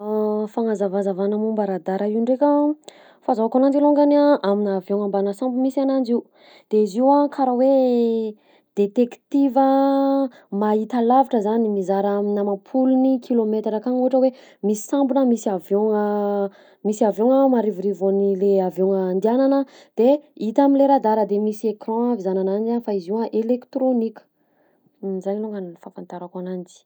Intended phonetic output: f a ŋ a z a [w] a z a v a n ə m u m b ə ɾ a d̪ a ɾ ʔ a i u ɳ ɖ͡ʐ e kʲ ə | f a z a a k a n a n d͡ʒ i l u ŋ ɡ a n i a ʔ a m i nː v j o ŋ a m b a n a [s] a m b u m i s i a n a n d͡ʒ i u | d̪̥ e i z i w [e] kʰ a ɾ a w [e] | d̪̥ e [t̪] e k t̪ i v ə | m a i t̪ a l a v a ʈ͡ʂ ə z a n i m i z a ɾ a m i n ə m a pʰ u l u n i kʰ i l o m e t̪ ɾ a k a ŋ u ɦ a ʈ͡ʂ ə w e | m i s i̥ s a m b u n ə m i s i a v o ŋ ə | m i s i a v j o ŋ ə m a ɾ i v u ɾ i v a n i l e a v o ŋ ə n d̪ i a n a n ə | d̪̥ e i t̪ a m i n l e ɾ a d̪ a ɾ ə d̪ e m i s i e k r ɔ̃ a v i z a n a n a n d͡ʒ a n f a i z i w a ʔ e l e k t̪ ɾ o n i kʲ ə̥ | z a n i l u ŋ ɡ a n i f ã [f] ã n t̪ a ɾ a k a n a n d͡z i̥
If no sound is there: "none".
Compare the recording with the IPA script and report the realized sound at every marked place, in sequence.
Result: v, s, a, e, t̪, f

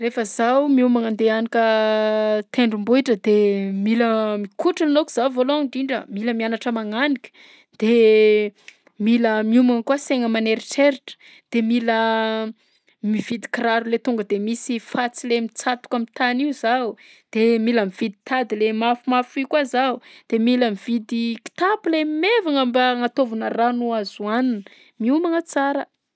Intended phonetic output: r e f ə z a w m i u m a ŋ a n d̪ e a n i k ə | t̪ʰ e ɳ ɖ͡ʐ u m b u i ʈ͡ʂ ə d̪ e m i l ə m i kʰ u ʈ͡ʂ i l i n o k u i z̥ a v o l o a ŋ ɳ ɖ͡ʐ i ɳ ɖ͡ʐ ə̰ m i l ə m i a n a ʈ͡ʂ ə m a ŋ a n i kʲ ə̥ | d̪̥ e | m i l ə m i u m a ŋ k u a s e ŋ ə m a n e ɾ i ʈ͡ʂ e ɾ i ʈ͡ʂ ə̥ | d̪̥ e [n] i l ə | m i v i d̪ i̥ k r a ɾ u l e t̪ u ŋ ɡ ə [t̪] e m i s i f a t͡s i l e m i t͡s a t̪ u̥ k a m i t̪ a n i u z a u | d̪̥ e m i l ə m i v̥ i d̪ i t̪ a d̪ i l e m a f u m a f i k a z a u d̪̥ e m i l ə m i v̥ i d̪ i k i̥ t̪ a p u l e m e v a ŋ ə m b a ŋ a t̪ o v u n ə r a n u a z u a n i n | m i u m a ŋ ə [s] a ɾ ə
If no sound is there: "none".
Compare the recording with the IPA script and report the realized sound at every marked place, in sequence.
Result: m, d̪, t͡s

